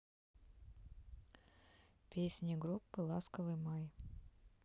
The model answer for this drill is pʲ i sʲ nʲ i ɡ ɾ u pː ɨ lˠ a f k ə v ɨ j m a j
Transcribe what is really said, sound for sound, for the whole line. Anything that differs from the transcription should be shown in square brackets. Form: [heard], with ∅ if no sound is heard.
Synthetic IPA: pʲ [e] sʲ nʲ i ɡ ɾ u pː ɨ lˠ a [s] k ə v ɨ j m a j